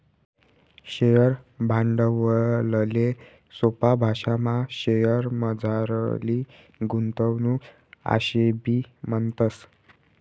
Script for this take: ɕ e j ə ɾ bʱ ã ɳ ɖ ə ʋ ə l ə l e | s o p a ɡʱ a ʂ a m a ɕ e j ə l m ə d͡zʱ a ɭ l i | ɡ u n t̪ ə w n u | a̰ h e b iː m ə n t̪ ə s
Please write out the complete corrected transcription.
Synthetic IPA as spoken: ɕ e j ə ɾ bʱ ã ɳ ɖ ə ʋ ə l ə l e | s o p a bʱ a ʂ a m a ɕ e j ə ɾ m ə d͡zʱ a ɾ l i | ɡ u n t̪ ə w n u | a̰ ɕ e b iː m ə n t̪ ə s